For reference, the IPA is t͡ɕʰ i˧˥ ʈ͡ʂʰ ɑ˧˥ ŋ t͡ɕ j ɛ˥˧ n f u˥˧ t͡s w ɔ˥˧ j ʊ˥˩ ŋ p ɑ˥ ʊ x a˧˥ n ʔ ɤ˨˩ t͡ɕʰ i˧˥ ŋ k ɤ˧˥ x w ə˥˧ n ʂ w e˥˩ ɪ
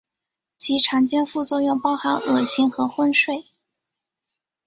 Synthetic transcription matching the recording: t͡ɕʰ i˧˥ ʈ͡ʂʰ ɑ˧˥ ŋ t͡ɕ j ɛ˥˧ n f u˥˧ t͡s w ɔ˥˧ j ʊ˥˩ ŋ p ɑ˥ ʊ x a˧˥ n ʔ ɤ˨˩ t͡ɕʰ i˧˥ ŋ x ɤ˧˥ x w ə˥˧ n ʂ w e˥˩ ɪ